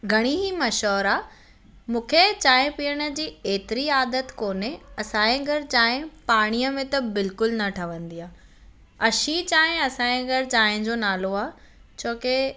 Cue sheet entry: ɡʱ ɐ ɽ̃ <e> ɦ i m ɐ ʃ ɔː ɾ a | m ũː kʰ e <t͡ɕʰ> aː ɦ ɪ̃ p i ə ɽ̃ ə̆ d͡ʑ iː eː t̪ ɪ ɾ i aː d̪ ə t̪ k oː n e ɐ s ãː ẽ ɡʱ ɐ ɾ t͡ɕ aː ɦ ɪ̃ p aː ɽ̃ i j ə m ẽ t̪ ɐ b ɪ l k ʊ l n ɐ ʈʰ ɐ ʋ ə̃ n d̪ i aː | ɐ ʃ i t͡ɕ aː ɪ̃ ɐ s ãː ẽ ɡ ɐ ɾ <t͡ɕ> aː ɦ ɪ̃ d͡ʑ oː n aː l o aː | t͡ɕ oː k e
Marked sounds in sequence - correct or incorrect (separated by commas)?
incorrect, incorrect, correct